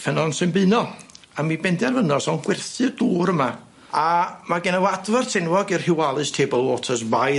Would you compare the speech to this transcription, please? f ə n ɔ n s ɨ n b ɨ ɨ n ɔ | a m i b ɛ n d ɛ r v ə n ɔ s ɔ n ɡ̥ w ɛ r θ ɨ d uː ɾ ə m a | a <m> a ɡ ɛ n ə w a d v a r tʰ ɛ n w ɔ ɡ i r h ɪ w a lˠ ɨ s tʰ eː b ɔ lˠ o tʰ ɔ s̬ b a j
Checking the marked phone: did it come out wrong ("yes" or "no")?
no